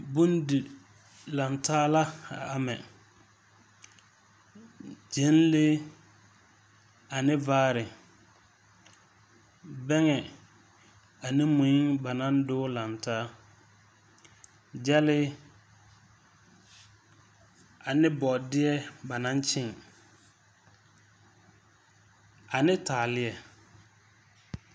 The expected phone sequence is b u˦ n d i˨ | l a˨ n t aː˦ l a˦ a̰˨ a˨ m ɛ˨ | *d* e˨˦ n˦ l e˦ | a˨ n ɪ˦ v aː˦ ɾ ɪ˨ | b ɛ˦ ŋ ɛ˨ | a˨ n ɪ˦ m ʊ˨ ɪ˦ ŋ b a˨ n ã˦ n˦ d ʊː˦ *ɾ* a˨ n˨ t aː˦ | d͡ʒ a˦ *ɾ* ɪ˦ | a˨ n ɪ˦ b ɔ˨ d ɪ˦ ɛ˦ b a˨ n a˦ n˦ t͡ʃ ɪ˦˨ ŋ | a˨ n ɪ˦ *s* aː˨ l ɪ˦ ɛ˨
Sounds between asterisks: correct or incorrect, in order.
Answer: incorrect, incorrect, incorrect, incorrect

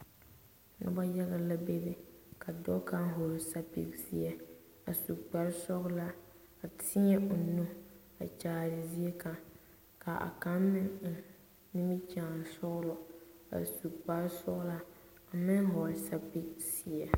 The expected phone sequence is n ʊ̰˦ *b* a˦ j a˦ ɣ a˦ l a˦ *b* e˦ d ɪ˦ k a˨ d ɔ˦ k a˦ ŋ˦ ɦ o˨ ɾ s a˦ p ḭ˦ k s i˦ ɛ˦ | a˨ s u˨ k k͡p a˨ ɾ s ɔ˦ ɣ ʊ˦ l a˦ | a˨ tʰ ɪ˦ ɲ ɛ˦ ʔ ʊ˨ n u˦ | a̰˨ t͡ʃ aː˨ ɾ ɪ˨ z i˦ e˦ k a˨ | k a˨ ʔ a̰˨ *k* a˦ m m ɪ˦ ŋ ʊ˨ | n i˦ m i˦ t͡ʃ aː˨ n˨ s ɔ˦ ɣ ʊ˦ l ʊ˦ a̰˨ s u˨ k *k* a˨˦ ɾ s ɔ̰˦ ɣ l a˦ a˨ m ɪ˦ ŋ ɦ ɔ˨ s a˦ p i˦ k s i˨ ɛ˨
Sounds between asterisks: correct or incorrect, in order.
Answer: correct, correct, correct, incorrect

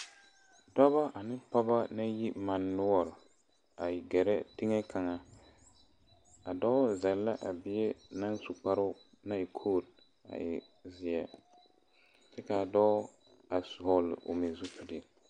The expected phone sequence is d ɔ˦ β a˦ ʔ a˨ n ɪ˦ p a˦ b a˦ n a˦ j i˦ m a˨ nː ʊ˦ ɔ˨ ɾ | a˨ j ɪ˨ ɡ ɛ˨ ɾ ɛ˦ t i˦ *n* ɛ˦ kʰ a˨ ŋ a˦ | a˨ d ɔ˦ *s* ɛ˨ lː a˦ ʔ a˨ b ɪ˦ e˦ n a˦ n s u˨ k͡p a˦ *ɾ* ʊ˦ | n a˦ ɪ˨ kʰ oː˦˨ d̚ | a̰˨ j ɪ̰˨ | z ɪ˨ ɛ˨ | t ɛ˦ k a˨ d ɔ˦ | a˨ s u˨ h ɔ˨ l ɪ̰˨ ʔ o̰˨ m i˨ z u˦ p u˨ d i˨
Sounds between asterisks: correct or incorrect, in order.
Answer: incorrect, incorrect, correct

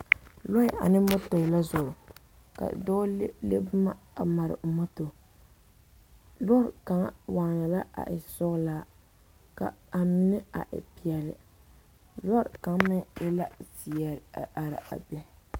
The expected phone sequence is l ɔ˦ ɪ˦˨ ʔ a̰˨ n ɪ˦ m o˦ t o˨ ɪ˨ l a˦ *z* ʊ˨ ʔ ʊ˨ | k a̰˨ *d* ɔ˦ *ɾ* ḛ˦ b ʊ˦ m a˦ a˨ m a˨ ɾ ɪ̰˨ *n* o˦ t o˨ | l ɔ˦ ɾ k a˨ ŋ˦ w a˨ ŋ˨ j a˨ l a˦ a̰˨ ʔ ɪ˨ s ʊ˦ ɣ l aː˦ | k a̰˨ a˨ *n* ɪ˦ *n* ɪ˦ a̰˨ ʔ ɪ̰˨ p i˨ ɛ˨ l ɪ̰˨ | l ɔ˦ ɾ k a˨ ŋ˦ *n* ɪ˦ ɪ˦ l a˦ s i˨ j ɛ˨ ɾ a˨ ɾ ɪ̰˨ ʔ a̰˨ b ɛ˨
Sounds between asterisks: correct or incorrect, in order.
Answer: correct, correct, incorrect, incorrect, incorrect, correct, incorrect

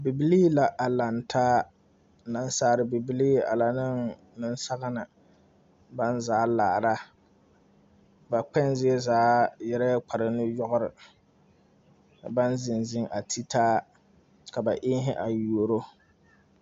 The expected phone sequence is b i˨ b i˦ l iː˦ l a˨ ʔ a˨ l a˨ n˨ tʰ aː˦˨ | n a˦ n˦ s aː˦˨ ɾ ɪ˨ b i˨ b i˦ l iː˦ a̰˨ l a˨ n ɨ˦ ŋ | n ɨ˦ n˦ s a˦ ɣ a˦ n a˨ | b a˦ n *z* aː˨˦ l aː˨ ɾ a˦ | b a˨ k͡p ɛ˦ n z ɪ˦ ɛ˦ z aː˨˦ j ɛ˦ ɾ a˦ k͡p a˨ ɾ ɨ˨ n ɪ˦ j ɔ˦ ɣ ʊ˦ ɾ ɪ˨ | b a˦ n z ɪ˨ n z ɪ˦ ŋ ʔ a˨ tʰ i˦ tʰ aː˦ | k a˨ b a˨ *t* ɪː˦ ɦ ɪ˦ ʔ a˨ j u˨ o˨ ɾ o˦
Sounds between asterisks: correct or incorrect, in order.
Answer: correct, incorrect

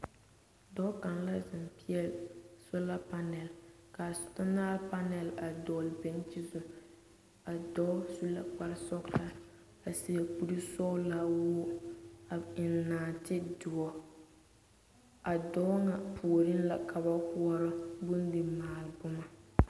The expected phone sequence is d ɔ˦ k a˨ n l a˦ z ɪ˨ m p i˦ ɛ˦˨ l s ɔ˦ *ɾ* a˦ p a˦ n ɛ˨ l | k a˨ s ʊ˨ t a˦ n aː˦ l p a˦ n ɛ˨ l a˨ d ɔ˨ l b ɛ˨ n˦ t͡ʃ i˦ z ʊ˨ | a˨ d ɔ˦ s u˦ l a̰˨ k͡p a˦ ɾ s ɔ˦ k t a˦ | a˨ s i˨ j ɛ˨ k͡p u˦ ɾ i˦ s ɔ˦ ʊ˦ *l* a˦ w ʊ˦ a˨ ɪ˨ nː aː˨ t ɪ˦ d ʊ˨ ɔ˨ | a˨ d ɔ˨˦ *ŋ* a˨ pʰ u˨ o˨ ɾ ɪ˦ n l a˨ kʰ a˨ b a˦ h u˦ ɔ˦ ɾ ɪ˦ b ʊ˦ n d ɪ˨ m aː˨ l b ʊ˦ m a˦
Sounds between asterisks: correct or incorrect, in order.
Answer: incorrect, correct, correct

